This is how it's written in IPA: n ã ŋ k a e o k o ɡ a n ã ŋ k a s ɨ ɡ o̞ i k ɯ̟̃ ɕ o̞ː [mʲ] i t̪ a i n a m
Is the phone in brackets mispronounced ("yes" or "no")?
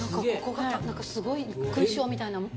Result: no